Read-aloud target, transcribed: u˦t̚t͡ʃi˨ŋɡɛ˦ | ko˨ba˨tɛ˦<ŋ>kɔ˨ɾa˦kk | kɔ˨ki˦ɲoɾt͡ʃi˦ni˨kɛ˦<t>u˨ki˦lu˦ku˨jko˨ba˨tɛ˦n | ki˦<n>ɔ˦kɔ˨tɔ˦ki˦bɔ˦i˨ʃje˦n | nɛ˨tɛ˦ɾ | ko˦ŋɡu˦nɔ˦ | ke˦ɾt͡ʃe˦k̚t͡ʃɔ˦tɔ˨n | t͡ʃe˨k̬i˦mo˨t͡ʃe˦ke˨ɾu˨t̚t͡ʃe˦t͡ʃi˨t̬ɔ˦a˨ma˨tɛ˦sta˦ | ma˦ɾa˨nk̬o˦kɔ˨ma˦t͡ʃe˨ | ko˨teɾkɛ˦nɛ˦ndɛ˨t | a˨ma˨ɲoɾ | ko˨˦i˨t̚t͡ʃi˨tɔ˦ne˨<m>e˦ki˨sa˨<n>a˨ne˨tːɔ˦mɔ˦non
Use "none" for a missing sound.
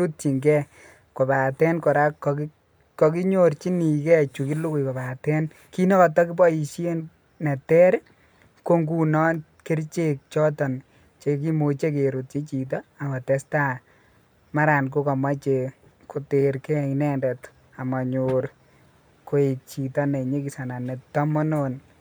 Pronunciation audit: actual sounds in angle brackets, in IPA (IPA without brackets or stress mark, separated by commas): n, t͡ʃ, n, ɲ, n